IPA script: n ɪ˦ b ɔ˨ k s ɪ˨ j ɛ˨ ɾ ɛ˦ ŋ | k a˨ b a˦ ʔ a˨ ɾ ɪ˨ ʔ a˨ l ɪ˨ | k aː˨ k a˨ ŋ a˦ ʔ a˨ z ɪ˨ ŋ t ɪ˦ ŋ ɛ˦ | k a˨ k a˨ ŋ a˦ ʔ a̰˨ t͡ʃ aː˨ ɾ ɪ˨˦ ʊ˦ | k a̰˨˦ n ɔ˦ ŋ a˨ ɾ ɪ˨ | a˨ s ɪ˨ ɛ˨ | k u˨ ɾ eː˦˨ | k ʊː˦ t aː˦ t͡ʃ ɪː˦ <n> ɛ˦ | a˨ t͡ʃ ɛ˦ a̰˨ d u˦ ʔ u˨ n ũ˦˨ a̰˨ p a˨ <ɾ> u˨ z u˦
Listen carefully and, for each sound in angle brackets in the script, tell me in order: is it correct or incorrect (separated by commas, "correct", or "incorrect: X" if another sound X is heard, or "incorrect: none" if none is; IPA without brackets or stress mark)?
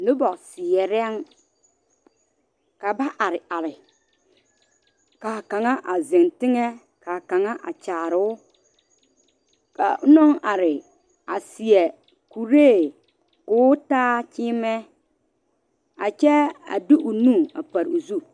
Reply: incorrect: m, correct